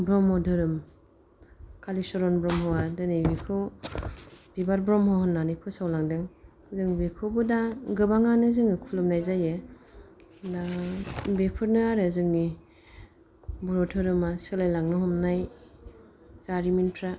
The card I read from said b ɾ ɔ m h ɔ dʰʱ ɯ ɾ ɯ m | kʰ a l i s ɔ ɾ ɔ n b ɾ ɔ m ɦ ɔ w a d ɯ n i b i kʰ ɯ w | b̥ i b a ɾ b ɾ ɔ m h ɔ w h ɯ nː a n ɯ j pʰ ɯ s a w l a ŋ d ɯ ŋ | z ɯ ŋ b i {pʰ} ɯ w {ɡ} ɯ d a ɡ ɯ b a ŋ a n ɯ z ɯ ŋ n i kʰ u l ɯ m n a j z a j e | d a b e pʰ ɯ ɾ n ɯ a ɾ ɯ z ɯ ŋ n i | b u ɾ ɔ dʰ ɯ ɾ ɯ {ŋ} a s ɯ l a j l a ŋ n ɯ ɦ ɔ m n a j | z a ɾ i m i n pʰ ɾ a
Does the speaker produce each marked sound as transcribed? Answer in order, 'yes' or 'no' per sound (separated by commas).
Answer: no, no, no